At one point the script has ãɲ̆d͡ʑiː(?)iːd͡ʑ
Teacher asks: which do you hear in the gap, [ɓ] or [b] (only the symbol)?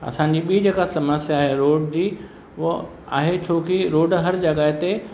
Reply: ɓ